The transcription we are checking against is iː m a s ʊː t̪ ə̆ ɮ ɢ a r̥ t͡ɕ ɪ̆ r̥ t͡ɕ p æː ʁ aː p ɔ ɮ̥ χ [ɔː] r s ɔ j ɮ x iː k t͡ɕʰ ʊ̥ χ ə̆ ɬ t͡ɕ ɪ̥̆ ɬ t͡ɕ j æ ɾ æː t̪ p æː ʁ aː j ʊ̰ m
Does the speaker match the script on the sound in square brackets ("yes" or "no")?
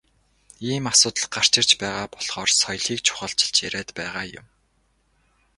yes